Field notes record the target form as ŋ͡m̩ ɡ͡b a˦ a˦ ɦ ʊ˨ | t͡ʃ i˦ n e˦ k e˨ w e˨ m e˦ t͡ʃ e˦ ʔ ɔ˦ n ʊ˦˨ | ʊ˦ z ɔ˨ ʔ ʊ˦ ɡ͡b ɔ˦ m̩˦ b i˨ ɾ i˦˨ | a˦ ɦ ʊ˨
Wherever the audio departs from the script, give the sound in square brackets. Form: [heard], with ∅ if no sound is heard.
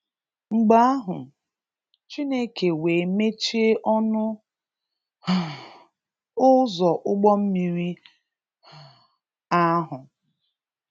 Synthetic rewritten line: ŋ͡m̩ ɡ͡b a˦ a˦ ɦ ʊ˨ | t͡ʃ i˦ n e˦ k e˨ w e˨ m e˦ t͡ʃ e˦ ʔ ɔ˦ n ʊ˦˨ | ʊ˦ z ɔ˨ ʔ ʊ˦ ɡ͡b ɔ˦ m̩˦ [m] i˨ ɾ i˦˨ | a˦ ɦ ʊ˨